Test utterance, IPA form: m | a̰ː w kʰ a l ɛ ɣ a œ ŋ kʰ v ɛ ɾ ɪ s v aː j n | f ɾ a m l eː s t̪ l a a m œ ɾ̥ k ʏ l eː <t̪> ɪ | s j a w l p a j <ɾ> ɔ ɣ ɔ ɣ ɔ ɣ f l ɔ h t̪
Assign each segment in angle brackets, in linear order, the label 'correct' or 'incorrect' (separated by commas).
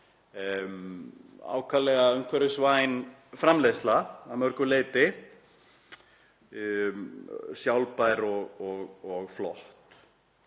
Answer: correct, correct